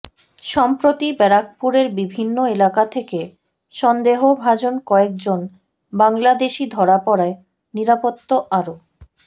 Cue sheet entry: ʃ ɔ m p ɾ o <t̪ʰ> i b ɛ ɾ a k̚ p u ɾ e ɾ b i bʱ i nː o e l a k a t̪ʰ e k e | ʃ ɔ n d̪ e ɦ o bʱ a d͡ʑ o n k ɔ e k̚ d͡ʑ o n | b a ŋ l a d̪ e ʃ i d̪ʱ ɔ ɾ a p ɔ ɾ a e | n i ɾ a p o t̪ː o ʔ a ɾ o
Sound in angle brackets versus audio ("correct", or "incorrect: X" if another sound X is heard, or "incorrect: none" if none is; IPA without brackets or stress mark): incorrect: t̪